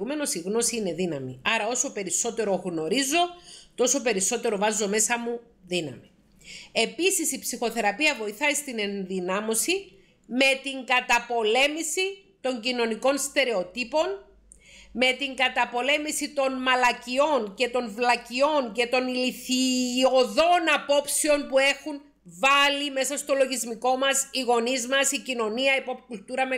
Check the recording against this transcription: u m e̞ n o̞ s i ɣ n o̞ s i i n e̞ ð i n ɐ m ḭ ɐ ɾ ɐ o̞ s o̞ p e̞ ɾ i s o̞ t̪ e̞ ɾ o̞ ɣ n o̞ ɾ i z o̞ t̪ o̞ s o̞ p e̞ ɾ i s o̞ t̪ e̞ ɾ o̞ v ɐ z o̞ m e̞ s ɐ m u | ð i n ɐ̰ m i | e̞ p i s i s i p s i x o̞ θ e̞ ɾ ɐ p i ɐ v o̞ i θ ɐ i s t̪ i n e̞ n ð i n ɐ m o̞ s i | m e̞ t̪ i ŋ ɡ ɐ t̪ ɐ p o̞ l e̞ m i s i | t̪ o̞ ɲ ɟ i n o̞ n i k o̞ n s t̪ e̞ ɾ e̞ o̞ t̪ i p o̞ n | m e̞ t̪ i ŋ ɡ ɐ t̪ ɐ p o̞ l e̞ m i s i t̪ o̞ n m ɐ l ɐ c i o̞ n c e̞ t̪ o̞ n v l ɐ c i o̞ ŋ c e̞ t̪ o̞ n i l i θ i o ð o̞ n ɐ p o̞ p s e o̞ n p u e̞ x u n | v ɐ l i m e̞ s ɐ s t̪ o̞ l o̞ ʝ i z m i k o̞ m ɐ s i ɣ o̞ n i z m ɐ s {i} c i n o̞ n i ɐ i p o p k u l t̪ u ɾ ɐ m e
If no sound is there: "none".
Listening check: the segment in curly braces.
i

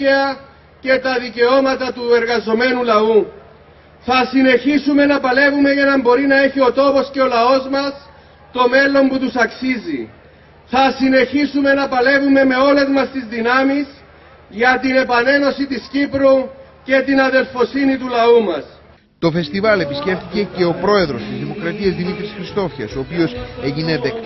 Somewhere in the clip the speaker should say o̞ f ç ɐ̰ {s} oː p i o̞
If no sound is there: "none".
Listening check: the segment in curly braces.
s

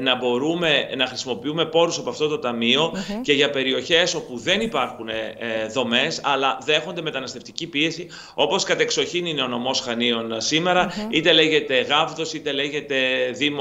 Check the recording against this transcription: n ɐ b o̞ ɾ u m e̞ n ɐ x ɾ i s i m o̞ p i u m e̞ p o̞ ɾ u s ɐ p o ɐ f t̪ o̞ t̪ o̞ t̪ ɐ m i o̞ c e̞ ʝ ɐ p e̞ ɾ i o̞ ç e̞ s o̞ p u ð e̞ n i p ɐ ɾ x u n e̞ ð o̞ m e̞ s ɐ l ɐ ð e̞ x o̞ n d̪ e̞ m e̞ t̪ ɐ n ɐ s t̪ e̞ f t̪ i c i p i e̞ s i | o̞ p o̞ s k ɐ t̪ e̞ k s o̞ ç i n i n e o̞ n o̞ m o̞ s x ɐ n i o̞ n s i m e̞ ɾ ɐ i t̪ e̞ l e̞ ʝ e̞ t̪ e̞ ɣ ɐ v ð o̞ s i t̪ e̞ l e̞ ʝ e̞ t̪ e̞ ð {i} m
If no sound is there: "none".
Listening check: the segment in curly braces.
i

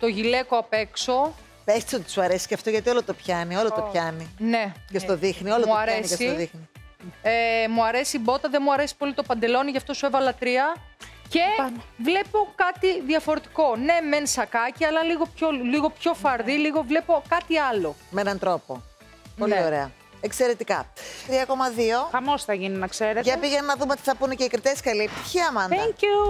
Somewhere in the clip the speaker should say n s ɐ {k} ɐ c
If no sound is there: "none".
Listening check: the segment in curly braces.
k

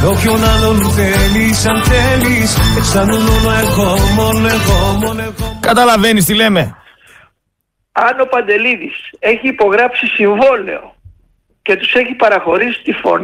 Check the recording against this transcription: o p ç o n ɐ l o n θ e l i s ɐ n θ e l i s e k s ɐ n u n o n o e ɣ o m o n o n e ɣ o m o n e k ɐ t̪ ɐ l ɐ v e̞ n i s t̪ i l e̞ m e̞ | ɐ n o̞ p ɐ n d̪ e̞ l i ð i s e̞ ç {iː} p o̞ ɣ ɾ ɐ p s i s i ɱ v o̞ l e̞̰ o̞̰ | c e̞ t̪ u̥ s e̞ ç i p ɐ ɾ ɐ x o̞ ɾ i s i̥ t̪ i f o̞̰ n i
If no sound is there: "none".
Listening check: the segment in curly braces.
iː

